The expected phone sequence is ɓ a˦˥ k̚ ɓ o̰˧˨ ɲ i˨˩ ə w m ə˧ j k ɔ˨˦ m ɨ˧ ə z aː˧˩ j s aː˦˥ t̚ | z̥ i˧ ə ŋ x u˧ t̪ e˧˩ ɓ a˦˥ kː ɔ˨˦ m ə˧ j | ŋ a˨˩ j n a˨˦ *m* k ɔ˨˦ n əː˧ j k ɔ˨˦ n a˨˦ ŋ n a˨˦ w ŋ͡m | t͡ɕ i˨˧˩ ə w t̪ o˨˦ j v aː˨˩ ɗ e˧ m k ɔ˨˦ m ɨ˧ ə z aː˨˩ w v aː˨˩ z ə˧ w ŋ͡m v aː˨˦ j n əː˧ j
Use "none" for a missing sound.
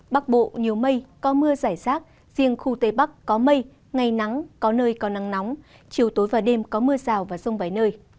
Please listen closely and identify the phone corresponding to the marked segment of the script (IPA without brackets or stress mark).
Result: ŋ